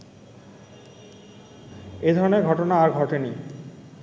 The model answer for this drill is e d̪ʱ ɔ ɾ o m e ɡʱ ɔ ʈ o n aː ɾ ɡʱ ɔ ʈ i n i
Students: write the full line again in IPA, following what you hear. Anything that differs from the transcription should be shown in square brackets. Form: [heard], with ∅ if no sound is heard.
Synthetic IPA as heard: e d̪ʱ ɔ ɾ o [n] e ɡʱ ɔ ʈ o n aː ɾ ɡʱ ɔ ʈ [e] n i